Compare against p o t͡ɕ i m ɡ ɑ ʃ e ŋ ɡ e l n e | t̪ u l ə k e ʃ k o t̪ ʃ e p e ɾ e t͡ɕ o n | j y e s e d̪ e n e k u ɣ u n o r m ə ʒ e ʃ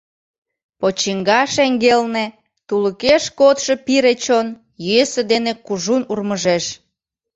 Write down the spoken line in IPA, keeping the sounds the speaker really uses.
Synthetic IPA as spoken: p o t͡ɕ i ŋ ɡ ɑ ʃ e ŋ ɡ e l n e | t̪ u l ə k e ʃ k o t̪ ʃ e p i ɾ e t͡ɕ o n | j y e s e d̪ e n e k u ʒ u n u r m ə ʒ e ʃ